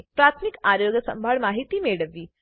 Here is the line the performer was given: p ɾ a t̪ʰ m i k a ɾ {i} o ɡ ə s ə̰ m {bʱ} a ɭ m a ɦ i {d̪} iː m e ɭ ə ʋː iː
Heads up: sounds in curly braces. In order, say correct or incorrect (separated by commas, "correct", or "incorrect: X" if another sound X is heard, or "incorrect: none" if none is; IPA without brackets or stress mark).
incorrect: j, correct, incorrect: t̪